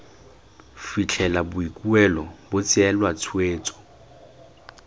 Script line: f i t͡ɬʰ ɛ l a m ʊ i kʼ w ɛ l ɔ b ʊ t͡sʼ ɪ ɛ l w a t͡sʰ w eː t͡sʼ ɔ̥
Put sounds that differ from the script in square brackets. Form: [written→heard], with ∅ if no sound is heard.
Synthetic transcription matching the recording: f i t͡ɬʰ ɛ l a [m→b] ʊ i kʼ [w→u] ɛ l ɔ b ʊ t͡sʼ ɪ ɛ l w a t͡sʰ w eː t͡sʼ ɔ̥